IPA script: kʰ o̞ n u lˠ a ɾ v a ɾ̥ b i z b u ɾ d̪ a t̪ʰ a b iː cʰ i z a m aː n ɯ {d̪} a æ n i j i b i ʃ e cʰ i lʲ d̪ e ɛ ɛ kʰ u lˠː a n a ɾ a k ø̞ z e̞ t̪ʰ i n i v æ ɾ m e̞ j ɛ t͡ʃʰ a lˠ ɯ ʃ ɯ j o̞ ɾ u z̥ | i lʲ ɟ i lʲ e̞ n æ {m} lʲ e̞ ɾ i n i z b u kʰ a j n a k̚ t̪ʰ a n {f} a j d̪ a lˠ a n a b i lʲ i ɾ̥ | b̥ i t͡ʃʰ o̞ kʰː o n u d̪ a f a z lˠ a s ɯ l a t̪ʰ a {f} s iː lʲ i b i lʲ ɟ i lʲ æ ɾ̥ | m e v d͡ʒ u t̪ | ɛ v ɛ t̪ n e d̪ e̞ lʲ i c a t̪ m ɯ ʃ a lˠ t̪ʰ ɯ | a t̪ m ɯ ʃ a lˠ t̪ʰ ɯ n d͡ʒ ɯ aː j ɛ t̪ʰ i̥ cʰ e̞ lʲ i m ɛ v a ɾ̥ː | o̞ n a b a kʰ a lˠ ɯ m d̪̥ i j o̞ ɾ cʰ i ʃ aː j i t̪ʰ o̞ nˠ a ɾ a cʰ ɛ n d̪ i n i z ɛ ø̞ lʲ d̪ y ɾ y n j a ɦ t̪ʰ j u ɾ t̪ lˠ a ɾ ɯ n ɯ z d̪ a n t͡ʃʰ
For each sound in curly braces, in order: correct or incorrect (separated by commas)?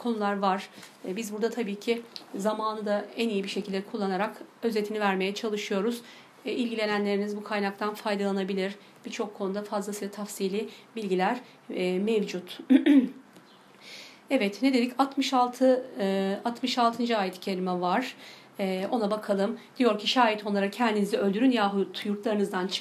correct, incorrect, correct, correct